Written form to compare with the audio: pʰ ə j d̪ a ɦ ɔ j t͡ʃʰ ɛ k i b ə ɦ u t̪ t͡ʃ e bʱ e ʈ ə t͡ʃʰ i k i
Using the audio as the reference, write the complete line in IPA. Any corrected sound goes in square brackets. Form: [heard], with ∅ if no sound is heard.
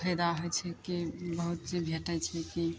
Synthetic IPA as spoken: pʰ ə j d̪ a ɦ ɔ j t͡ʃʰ ɛ k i b ə ɦ u t̪ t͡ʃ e bʱ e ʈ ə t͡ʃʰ [ɛ] k i